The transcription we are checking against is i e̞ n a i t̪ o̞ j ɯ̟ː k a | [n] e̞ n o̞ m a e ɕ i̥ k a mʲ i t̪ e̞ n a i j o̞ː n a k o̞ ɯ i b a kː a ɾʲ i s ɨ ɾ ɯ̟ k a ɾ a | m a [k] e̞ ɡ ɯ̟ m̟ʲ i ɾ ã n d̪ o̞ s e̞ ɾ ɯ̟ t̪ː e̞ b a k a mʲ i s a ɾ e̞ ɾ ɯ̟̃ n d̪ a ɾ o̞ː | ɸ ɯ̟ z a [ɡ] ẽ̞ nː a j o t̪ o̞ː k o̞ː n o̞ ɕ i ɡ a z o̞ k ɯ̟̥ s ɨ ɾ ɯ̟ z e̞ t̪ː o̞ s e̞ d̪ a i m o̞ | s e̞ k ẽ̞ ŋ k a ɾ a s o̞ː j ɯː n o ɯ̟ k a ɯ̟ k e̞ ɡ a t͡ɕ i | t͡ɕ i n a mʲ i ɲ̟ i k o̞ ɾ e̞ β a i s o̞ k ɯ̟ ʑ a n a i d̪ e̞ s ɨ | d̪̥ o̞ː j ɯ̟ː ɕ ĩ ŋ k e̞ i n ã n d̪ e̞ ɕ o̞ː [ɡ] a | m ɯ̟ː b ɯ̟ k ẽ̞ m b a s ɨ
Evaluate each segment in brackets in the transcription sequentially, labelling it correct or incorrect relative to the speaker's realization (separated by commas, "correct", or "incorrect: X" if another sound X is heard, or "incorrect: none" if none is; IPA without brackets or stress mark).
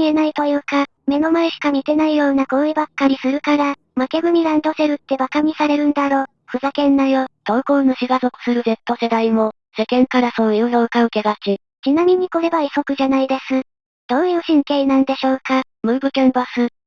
incorrect: m, correct, incorrect: k, incorrect: k